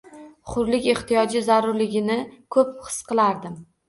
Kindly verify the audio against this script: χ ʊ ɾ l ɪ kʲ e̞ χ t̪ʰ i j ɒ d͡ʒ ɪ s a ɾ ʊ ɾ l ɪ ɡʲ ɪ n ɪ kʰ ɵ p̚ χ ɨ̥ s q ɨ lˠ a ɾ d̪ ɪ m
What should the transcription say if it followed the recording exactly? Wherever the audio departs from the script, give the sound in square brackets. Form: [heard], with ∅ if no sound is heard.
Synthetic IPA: χ ʊ ɾ l ɪ kʲ e̞ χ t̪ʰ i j ɒ d͡ʒ ɪ [z] a ɾ ʊ ɾ l ɪ ɡʲ ɪ n ɪ kʰ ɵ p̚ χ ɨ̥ s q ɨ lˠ a ɾ d̪ ɪ m